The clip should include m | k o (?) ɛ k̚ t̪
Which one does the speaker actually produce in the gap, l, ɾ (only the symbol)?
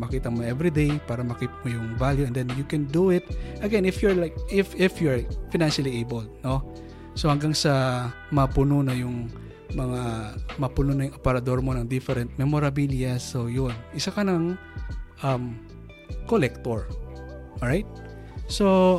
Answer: l